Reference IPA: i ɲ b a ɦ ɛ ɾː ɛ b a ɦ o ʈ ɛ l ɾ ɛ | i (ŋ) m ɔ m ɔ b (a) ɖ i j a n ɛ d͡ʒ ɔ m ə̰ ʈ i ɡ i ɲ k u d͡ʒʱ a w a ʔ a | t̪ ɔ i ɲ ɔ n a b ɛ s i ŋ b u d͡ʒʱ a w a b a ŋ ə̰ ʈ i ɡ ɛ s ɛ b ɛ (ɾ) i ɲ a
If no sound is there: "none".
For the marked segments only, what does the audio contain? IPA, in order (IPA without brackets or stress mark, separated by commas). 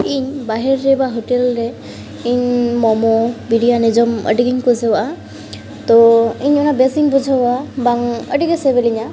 ɲ, i, l